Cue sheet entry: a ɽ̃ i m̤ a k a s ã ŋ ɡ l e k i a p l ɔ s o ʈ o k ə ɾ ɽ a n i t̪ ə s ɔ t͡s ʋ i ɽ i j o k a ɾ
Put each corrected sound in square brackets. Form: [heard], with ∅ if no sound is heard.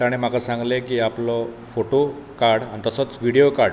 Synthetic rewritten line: a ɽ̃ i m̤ a k a s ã ŋ ɡ l e k i a p l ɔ [f] o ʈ o k [a] ɾ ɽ a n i t̪ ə s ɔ t͡s ʋ i ɽ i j o k a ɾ